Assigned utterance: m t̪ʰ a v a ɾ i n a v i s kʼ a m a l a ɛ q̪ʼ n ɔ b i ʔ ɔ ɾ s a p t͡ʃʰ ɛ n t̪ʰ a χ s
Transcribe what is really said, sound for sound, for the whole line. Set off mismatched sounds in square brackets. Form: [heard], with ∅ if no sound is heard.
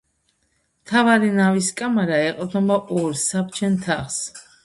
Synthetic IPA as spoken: m t̪ʰ a v a ɾ i n a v i s kʼ a m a [ɾ] a ɛ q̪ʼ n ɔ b [a] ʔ ɔ ɾ s a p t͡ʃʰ ɛ n t̪ʰ a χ s